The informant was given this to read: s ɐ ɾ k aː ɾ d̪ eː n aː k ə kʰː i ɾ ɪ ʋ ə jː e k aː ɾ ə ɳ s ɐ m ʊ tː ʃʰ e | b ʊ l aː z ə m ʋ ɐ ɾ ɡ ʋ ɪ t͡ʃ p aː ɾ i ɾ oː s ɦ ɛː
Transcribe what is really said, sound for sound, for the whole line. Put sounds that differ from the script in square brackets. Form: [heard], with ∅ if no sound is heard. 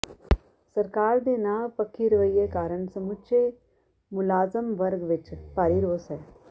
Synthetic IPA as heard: s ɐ ɾ k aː ɾ d̪ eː n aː [p] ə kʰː i ɾ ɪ ʋ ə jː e k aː ɾ ə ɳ s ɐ m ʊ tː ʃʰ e | [m] ʊ l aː z ə m ʋ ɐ ɾ ɡ ʋ ɪ t͡ʃ p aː ɾ i ɾ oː s ɦ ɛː